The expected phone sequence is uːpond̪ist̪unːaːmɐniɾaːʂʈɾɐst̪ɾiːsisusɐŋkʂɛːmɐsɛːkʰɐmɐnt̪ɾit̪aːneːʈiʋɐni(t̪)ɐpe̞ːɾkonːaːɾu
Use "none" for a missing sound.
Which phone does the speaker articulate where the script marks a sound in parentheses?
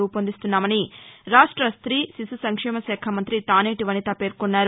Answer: t̪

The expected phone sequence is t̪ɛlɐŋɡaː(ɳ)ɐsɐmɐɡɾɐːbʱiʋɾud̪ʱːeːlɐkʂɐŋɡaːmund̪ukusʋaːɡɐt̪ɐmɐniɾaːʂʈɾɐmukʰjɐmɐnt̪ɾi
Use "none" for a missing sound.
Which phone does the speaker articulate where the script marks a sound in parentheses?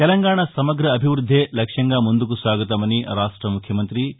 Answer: ɳ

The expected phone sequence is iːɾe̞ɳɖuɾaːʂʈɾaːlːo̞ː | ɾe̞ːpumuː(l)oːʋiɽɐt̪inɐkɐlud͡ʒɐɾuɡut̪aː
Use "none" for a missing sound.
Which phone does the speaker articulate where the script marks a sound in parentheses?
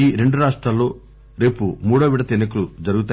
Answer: ɽ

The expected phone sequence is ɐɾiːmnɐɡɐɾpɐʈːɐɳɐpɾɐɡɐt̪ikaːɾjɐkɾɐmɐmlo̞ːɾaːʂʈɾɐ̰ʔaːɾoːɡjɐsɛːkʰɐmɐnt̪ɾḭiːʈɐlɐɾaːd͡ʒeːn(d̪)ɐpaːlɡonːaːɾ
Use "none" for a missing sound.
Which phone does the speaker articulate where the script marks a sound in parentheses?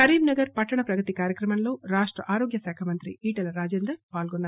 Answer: d̪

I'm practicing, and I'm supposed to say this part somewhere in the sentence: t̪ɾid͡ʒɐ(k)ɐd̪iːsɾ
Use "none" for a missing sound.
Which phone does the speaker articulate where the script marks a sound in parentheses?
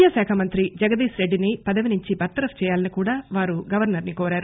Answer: ɡ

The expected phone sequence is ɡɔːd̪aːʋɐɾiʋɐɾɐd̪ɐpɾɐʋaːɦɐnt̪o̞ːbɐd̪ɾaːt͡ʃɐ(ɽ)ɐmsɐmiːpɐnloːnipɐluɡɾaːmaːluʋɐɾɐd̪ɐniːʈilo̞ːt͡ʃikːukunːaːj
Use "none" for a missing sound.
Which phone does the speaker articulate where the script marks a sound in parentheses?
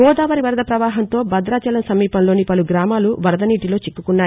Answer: l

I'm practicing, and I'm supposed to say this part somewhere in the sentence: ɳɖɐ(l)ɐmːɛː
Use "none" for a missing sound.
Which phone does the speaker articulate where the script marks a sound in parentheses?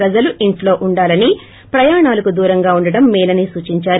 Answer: ɽ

